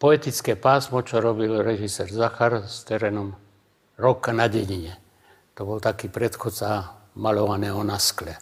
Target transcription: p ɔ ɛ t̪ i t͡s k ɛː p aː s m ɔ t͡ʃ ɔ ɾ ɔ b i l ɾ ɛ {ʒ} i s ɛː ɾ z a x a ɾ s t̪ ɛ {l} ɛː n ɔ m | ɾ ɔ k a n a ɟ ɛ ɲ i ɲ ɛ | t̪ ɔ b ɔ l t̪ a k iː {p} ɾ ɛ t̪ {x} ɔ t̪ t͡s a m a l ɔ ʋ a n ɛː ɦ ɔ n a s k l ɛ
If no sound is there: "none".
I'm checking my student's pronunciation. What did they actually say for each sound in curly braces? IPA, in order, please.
ʒ, ɾ, p, x

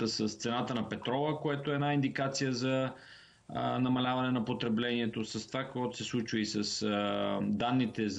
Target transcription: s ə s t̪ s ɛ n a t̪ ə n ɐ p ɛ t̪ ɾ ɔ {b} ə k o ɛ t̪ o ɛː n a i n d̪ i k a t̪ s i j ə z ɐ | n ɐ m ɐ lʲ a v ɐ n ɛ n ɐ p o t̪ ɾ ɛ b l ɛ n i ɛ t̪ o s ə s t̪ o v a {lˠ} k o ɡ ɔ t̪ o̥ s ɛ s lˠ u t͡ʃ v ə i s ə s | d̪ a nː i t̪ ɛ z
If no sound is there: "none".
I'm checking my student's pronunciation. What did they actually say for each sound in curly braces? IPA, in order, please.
v, none

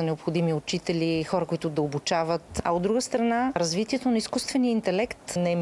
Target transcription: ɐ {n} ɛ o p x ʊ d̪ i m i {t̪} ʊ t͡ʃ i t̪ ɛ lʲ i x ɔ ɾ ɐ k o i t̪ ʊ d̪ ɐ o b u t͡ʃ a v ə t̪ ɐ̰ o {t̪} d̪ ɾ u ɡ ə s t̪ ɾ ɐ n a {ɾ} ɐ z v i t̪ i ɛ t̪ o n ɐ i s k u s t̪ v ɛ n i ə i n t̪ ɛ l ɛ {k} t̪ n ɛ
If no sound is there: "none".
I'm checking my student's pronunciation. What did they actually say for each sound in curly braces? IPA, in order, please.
n, none, d̪, ɾ, k

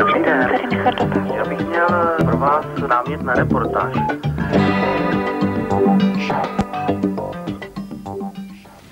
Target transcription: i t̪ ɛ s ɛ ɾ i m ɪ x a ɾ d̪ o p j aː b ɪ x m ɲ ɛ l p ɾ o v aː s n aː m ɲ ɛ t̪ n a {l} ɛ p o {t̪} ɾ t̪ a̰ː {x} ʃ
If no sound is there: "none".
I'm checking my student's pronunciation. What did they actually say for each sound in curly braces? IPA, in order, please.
ɾ, none, none

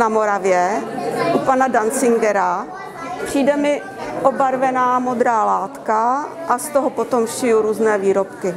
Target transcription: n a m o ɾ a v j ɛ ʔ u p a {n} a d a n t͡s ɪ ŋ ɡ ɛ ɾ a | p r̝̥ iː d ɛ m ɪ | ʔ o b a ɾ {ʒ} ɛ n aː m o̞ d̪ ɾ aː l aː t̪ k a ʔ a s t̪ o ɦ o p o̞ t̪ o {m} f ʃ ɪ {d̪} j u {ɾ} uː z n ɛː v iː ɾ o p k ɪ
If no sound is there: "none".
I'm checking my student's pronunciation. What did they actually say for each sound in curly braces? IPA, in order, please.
n, v, m, none, ɾ

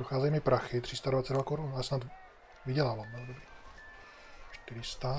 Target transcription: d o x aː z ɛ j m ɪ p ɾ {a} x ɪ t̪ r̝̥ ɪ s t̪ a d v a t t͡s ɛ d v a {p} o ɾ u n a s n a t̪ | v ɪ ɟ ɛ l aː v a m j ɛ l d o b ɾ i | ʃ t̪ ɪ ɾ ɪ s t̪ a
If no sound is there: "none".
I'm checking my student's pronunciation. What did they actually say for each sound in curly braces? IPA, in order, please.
a, k

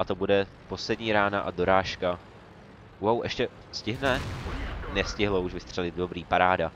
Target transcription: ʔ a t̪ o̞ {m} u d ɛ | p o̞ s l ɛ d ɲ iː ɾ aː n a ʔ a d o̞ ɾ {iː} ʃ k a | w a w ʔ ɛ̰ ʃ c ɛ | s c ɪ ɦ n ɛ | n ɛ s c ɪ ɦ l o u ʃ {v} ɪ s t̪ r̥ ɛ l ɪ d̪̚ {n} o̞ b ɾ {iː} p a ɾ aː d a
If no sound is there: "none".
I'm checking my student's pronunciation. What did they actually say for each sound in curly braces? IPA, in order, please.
b, aː, v, d, iː

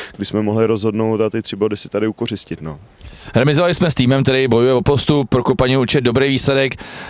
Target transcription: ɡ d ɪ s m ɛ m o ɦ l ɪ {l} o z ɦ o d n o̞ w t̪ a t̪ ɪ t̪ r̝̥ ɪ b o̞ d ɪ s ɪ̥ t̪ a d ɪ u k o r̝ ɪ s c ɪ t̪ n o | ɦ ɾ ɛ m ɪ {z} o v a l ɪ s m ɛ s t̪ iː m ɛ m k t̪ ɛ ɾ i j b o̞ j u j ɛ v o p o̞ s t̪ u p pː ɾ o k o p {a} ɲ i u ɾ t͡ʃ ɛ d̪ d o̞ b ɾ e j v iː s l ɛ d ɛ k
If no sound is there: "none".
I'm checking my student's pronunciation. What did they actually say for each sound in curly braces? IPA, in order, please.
ɾ, z, a

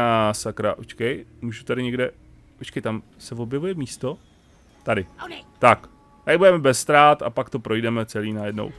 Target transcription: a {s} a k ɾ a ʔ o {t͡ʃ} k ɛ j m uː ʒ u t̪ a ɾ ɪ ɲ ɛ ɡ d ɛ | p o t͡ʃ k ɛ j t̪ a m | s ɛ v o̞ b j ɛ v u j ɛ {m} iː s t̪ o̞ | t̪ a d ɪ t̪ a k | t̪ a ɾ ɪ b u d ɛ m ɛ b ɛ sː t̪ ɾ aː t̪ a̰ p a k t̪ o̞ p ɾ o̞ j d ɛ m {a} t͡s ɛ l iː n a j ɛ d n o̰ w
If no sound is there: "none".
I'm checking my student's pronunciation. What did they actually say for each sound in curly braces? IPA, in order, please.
s, t͡ʃ, m, ɛ

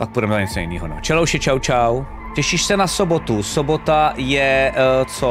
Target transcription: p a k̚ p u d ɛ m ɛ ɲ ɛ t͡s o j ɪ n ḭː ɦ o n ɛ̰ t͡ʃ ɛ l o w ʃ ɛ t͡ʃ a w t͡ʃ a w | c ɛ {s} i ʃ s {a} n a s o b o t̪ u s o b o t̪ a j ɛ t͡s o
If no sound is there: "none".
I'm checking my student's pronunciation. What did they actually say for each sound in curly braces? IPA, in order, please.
ʃ, ɛ

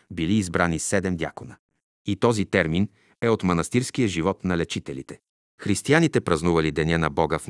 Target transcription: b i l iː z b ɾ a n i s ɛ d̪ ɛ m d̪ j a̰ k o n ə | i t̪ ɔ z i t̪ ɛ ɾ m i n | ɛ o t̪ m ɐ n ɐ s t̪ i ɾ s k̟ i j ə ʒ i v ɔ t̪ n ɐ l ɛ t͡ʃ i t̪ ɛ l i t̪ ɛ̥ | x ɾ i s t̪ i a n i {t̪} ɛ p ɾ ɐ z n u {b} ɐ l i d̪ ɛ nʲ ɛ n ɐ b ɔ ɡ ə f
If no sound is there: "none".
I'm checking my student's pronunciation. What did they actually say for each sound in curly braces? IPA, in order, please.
t̪, v

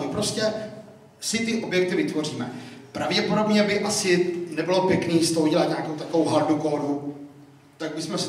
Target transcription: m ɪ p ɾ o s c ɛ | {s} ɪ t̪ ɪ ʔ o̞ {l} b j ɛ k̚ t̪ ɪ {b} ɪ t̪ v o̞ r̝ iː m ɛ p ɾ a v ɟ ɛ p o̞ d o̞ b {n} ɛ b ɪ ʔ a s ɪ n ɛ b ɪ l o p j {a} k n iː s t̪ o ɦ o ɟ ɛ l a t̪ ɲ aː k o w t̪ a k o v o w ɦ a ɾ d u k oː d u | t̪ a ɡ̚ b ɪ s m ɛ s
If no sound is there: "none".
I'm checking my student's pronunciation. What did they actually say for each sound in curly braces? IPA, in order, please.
s, none, v, ɲ, ɛ

